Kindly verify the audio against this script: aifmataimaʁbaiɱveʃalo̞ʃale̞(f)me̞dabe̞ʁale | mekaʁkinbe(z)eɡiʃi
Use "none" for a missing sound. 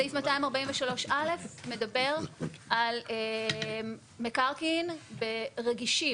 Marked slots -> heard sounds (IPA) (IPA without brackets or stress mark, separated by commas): f, ʁ